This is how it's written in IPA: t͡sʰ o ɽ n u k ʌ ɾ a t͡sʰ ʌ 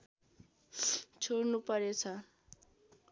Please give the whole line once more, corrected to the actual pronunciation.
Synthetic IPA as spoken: t͡sʰ o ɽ n u p ʌ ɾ e t͡sʰ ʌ